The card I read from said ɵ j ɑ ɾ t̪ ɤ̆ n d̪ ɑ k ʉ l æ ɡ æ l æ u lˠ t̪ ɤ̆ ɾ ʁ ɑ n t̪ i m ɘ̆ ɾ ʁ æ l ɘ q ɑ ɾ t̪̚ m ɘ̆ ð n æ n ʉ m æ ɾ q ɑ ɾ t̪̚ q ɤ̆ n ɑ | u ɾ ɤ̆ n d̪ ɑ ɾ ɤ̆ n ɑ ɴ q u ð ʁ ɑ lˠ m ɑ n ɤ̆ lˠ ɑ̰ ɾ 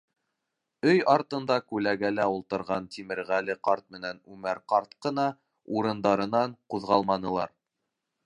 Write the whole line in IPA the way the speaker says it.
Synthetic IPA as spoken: ɵ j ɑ ɾ t̪ ɤ̆ n d̪ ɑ k ʉ l æ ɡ æ l æ u lˠ t̪ ɤ̆ ɾ ʁ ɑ n t̪ i m ɘ̆ ɾ ʁ æ l ɘ q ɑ ɾ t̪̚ m ɘ̆ n æ n ʉ m æ ɾ q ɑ ɾ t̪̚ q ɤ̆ n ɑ | u ɾ ɤ̆ n d̪ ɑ ɾ ɤ̆ n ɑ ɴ q u ð ʁ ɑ lˠ m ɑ n ɤ̆ lˠ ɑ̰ ɾ